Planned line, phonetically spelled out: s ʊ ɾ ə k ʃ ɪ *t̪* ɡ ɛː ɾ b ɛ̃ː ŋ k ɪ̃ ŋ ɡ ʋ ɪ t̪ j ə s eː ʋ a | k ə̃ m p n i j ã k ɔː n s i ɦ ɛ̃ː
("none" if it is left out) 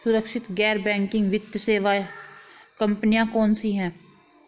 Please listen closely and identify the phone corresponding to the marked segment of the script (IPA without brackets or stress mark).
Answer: t̪